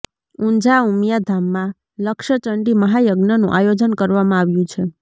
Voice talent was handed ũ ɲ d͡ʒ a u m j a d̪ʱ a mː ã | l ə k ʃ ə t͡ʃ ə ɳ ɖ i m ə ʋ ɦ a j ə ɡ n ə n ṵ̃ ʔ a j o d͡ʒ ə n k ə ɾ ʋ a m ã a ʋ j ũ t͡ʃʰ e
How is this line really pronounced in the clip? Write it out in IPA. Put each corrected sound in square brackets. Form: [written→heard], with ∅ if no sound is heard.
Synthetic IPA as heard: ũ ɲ d͡ʒ a u m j a d̪ʱ a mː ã | l ə k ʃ ə t͡ʃ ə ɳ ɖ i m ə [ʋ→∅] ɦ a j ə ɡ n ə n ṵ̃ ʔ a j o d͡ʒ ə n k ə ɾ ʋ a m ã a ʋ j ũ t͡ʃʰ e